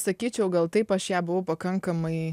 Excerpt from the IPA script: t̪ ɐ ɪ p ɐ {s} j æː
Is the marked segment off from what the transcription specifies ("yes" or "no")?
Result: yes